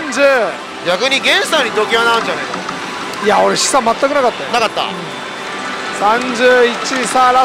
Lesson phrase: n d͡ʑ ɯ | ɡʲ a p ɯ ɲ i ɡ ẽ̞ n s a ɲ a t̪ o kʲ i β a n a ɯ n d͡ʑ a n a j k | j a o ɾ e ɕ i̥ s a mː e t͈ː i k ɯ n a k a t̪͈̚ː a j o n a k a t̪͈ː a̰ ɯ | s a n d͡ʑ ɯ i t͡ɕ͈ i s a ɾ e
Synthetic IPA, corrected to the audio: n d͡ʑ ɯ | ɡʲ a k ɯ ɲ i ɡ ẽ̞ n s a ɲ i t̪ o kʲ i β a n a ɯ n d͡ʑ a n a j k | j a o ɾ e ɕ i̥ s a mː a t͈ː a k ɯ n a k a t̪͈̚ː a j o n a k a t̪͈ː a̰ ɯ | s a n d͡ʑ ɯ i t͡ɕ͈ i s a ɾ a